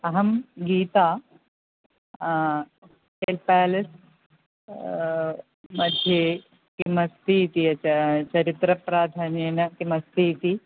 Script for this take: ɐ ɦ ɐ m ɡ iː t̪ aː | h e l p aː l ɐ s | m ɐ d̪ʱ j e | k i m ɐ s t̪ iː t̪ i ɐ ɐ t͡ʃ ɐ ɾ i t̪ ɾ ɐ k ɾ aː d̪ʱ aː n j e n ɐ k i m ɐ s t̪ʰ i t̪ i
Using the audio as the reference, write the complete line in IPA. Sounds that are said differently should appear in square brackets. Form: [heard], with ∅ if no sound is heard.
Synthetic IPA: ɐ ɦ ɐ m ɡ iː t̪ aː | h e l p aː l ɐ s | m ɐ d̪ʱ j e | k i m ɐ s t̪ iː t̪ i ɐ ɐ t͡ʃ ɐ ɾ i t̪ ɾ ɐ [p] ɾ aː d̪ʱ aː n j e n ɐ k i m ɐ s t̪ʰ i t̪ i